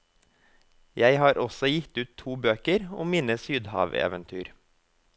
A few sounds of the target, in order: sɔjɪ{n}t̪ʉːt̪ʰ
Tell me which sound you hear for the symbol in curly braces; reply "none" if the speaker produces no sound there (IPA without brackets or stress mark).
none